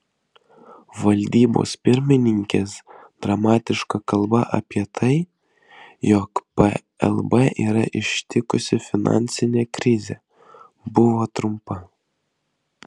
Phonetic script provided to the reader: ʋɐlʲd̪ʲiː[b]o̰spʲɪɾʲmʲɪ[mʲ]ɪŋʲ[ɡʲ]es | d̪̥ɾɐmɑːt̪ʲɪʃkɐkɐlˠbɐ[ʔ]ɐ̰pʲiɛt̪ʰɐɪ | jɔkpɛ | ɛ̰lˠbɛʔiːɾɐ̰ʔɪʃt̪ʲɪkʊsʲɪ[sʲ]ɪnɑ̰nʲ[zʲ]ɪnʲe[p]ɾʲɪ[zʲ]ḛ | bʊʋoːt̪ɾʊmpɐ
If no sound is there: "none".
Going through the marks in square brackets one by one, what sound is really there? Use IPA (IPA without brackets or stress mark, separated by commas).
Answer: b, nʲ, kʲ, ʔ, fʲ, sʲ, k, zʲ